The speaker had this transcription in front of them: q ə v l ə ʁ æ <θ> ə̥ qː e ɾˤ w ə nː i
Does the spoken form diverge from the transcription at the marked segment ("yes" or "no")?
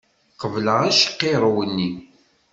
yes